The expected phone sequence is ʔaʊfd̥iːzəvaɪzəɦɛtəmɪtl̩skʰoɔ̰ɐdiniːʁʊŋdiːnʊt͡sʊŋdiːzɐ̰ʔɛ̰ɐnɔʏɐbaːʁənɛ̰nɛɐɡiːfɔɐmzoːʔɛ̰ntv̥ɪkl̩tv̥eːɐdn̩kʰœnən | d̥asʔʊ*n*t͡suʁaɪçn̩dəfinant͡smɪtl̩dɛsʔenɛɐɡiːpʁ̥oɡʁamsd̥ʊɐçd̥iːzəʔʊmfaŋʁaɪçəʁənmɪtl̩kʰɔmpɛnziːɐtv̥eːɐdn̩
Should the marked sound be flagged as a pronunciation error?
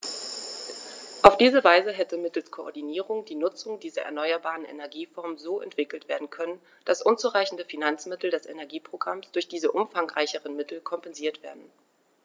no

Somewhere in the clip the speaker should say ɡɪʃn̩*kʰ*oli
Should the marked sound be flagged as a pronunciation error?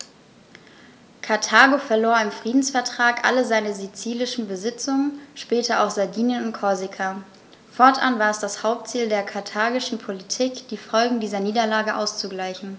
yes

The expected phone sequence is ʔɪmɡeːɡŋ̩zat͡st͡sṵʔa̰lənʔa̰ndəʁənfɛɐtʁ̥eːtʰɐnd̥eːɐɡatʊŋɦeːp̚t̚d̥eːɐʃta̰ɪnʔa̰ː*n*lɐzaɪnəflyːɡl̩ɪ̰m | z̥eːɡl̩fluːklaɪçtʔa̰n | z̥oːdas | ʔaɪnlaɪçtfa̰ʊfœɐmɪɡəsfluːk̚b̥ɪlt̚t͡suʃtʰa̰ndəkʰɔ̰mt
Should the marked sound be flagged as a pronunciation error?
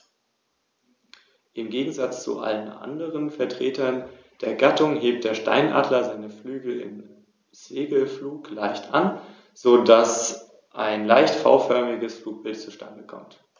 yes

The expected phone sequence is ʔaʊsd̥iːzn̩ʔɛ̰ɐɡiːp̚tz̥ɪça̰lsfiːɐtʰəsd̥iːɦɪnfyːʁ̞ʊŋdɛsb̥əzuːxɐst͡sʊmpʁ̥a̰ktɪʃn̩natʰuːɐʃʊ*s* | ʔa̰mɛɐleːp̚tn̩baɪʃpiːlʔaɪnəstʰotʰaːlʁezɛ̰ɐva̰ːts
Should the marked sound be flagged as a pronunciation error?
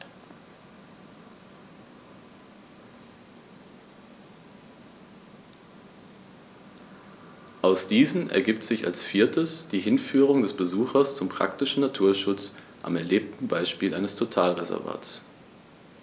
yes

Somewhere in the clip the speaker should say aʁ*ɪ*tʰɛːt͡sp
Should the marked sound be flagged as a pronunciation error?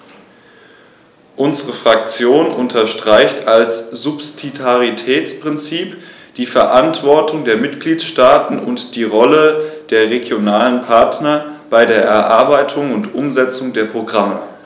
yes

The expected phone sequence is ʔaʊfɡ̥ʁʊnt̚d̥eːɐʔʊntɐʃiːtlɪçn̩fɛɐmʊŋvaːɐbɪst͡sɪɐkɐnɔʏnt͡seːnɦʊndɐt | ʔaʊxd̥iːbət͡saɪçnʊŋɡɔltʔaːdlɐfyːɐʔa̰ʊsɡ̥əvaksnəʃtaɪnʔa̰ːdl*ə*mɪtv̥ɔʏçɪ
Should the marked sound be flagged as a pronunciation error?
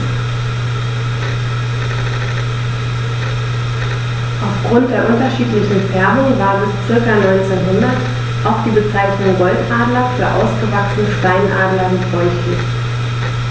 yes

